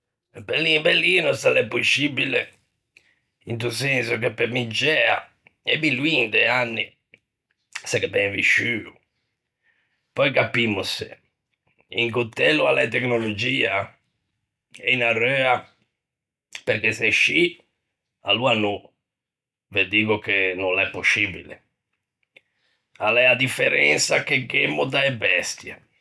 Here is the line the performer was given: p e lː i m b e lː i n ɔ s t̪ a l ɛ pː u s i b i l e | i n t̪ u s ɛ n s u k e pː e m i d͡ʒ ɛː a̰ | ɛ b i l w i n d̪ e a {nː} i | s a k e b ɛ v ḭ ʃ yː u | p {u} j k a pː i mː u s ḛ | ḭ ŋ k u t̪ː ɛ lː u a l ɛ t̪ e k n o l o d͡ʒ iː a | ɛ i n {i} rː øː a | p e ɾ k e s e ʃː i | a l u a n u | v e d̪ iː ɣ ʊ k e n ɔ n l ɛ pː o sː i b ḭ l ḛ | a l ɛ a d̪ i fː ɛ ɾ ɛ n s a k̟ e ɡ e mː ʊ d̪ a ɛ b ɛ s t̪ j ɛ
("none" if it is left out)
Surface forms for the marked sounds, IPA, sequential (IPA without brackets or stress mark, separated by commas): nː, ɔ, a